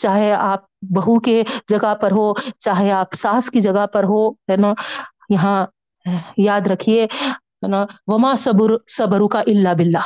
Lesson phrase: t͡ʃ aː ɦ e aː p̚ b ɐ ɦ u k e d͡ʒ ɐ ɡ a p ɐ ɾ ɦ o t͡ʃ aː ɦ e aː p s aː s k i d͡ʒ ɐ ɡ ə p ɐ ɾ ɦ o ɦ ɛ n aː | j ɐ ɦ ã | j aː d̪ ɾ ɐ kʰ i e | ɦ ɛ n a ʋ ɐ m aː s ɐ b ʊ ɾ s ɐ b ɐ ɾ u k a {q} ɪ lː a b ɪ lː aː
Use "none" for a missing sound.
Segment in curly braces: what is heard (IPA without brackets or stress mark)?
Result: ʔ